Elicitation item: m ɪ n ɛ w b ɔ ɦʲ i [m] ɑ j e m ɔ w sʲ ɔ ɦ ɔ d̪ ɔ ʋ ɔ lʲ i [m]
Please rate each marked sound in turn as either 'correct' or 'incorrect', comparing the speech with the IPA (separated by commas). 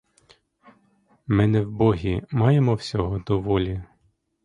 correct, incorrect